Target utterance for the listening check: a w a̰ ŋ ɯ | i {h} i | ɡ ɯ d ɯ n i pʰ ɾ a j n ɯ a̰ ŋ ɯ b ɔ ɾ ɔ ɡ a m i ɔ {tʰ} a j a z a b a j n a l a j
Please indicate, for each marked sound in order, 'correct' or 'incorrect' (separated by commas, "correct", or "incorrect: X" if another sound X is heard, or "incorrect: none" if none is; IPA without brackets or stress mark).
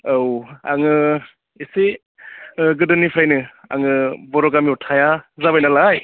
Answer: incorrect: s, correct